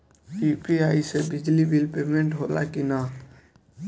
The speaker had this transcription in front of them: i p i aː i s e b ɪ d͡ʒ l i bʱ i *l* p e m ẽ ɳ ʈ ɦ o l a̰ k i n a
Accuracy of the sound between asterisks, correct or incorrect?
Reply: correct